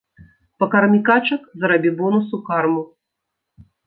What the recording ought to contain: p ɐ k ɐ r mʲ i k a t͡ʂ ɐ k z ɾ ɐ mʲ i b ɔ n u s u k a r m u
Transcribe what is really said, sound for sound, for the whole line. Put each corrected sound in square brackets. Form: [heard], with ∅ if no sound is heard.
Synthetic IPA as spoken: p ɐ k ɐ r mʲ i k a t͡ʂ ɐ k z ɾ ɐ [bʲ] i b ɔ n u s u k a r m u